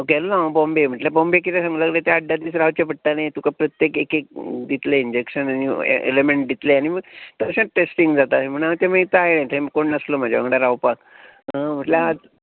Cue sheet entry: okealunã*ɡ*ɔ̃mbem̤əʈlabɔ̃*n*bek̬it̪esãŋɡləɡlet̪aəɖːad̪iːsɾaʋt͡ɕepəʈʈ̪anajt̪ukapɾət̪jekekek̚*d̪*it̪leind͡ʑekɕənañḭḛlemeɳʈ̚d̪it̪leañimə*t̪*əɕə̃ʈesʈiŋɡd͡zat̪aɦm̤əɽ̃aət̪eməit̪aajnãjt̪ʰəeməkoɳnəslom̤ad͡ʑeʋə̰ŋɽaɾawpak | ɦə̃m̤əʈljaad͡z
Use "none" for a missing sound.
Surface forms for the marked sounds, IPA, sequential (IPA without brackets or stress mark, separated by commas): b, m, d̪, t̪